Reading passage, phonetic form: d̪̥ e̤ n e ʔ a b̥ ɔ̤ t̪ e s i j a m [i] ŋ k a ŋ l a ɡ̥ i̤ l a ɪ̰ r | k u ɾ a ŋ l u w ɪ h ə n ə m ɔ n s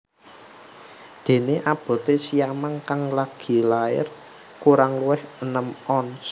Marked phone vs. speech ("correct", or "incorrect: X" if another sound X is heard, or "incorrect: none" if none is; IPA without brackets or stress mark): incorrect: a